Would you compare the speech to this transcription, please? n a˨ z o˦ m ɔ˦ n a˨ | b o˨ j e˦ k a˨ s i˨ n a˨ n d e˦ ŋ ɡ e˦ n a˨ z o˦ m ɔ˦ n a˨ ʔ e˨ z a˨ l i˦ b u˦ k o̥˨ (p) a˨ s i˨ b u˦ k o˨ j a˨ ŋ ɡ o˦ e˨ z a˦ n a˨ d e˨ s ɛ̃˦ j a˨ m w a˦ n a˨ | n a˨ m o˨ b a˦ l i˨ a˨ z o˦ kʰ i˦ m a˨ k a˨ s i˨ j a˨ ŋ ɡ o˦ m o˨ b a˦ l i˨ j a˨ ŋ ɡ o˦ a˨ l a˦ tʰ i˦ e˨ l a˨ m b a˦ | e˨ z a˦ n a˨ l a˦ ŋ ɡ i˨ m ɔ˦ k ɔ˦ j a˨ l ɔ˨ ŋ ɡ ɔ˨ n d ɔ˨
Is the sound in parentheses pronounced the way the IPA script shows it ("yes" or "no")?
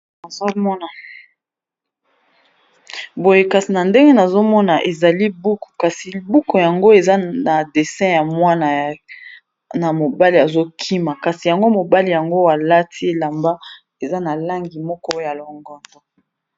no